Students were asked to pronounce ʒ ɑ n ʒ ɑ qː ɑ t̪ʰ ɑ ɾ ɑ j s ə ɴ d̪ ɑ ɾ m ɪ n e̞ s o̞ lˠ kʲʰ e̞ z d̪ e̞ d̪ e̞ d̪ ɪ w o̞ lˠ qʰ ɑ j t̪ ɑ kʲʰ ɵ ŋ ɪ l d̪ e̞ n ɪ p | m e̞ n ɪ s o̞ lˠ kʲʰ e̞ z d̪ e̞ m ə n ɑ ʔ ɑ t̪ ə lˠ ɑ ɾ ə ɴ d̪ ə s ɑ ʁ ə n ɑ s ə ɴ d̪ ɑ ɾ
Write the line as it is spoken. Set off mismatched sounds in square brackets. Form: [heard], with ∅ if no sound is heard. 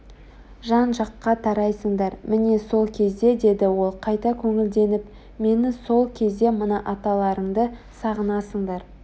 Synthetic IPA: ʒ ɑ n ʒ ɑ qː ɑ t̪ʰ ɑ ɾ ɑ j s ə ɴ d̪ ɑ ɾ m ɪ n e̞ s o̞ lˠ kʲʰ e̞ z d̪ e̞ d̪ e̞ d̪ ɪ w o̞ lˠ qʰ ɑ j t̪ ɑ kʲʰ ɵ ŋ ɪ l d̪ e̞ n ɪ p | m e̞ n ɪ s o̞ lˠ kʲʰ e̞ z d̪ e̞ m ə n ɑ ʔ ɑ t̪ [ɑ] lˠ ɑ ɾ ə ɴ d̪ ə s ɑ ʁ ə n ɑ s ə ɴ d̪ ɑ ɾ